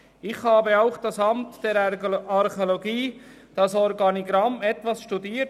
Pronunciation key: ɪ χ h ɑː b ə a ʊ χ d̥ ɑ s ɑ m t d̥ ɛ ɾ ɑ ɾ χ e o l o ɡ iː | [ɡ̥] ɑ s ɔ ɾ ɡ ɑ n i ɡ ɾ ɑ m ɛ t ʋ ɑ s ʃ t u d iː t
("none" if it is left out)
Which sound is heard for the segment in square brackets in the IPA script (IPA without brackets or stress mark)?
d̥